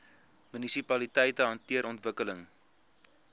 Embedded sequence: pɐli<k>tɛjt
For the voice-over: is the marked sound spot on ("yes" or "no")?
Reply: no